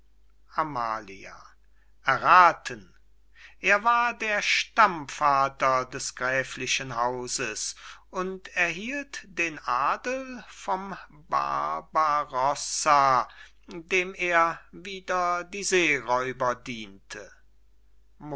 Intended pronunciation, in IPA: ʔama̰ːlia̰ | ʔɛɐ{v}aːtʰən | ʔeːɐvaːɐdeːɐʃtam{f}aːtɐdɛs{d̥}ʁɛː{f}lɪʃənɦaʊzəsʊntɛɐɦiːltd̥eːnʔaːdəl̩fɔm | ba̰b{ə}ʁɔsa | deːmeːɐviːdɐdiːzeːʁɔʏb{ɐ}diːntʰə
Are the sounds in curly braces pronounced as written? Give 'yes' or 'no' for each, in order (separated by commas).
no, yes, no, yes, no, yes